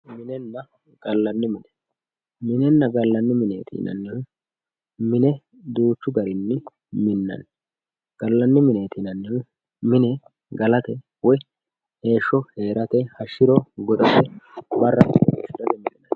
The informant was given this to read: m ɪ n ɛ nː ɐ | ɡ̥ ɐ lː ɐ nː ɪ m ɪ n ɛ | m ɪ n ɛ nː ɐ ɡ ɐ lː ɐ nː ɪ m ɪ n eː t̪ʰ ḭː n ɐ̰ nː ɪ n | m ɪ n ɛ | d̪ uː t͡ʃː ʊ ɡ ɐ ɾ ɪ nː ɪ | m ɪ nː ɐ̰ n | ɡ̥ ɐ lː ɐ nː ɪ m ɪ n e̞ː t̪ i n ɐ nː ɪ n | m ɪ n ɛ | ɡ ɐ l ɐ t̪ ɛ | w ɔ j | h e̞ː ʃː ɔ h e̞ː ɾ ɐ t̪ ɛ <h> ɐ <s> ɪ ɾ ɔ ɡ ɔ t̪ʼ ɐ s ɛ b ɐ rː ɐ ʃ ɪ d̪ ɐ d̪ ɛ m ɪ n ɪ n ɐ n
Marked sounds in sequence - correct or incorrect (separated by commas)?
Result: correct, incorrect